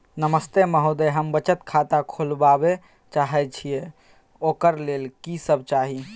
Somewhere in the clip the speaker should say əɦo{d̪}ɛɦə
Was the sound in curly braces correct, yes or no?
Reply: yes